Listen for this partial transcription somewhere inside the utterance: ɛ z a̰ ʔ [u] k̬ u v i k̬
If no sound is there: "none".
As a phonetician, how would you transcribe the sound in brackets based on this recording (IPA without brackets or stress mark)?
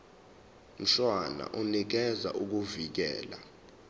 u